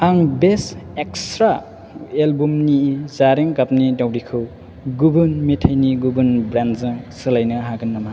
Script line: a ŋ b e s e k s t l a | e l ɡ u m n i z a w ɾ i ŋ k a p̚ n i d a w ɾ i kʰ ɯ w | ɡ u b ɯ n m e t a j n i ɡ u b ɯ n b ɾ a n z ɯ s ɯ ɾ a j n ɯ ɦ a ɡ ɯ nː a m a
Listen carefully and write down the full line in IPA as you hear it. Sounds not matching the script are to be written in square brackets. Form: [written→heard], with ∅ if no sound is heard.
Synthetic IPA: a ŋ b e s e k s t [l→ɾ] a | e l [ɡ→b] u m n i z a [w→∅] ɾ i ŋ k a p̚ n i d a w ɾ i kʰ ɯ w | ɡ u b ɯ n m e [t→tʰ] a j n i ɡ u b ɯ n b ɾ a n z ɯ s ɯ [ɾ→l] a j n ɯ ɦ a ɡ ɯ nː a m a